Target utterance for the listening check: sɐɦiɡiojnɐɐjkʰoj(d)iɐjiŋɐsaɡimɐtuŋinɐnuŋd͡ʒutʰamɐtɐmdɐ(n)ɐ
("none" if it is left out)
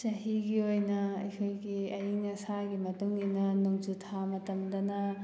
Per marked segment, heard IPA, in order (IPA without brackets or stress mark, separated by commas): ɡ, n